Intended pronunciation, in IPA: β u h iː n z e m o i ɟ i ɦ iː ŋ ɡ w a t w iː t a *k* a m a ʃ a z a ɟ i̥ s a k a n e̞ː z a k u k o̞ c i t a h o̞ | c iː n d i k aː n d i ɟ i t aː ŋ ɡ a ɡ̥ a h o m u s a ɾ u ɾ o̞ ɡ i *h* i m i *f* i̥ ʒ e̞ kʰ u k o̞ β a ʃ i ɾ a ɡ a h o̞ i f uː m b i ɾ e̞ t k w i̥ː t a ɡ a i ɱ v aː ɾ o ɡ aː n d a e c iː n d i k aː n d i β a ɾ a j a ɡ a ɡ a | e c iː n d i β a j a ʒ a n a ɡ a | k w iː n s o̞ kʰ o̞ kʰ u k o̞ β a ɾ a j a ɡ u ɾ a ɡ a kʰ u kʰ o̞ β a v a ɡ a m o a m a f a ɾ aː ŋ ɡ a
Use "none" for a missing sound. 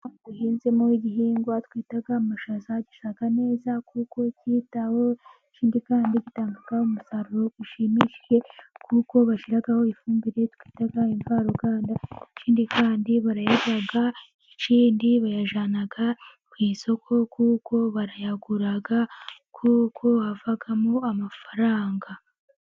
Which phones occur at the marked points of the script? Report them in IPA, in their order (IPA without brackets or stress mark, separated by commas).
ɡ, ʃ, ʃ